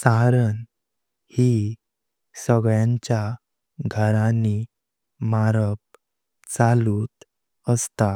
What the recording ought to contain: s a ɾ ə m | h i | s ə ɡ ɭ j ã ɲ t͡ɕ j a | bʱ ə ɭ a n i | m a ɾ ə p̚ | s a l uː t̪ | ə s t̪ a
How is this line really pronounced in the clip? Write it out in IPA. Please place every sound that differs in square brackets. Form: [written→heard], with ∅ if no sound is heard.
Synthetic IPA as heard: s a ɾ ə [m→n] | h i | s ə ɡ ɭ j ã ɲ t͡ɕ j a | [bʱ→ɡʱ] ə [ɭ→ɾ] a n i | m a ɾ ə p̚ | [s→t͡s] a l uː t̪ | ə s t̪ a